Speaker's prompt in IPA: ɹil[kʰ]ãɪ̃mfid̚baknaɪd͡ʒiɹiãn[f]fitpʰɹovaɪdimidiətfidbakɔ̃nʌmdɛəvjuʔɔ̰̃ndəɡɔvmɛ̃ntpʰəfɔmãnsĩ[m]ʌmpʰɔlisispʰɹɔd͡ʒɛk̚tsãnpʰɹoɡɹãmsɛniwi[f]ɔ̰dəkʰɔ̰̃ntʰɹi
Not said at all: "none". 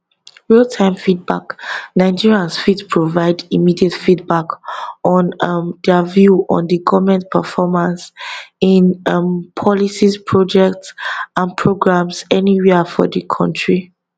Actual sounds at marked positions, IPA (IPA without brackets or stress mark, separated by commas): tʰ, s, n, f